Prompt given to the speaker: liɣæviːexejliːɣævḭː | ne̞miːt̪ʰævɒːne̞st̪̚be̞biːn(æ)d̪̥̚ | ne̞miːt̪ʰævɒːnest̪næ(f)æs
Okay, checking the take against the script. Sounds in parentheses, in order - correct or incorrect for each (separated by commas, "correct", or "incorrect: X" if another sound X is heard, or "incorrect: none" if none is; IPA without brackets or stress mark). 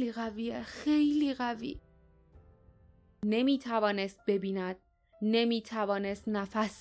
correct, correct